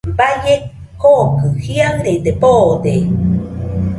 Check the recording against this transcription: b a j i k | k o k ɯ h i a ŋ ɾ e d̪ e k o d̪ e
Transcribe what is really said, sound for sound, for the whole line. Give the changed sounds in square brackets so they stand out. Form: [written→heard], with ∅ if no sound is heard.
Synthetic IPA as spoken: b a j [i→e] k | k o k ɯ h i a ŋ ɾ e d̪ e [k→p] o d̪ e